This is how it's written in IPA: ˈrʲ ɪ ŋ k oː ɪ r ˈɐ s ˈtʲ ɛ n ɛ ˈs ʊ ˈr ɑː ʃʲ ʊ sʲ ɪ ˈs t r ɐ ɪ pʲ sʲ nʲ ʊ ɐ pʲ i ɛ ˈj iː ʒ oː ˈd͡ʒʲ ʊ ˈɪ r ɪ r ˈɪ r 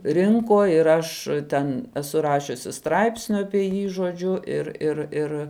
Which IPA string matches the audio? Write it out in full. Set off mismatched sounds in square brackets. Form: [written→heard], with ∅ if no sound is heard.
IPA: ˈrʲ ɪ ŋ k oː ɪ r ˈɐ [s→ʃ] ˈtʲ ɛ n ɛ ˈs ʊ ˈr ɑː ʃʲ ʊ sʲ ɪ ˈs t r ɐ ɪ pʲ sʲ nʲ ʊ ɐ pʲ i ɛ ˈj iː ʒ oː ˈd͡ʒʲ ʊ ˈɪ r ɪ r ˈɪ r